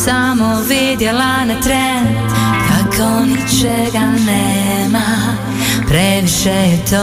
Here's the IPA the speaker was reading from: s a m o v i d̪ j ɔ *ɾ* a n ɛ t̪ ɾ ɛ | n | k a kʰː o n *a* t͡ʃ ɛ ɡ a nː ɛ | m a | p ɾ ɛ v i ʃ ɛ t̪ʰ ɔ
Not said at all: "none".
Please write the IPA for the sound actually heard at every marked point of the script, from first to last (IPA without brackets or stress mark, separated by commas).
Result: l, i